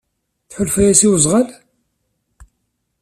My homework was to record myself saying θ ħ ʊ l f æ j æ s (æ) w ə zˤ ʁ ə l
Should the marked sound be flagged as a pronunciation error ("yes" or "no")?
yes